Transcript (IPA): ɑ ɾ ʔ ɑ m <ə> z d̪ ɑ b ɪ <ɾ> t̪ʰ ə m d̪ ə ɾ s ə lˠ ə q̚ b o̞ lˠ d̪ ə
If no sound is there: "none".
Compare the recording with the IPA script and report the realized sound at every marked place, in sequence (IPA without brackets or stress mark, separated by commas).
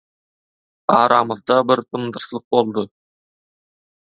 ə, ɾ